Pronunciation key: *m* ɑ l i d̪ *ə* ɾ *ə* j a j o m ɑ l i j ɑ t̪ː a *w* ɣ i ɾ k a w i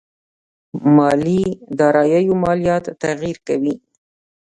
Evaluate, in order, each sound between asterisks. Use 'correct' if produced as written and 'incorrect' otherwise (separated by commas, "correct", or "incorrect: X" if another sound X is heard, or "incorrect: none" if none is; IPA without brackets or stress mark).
correct, incorrect: ɑ, incorrect: ɑ, incorrect: none